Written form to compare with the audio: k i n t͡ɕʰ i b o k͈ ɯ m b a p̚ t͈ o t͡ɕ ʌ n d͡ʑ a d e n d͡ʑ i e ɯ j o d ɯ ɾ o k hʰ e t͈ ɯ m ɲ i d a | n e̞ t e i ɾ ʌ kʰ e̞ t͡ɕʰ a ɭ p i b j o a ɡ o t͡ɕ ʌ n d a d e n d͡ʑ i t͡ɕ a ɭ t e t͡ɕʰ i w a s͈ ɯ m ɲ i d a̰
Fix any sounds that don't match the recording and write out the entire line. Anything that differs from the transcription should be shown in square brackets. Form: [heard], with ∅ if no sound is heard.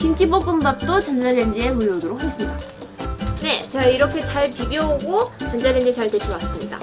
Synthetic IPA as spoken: k i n t͡ɕʰ i b o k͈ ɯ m b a p̚ t͈ o t͡ɕ ʌ n d͡ʑ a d e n d͡ʑ i e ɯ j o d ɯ ɾ o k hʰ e [s͈] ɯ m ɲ i d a | n e̞ [t͡ɕ] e i ɾ ʌ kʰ e̞ [t͡ɕ] a ɭ p i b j o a ɡ o t͡ɕ ʌ n [d͡ʑ] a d e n d͡ʑ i t͡ɕ a ɭ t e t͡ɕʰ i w a s͈ ɯ m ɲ i d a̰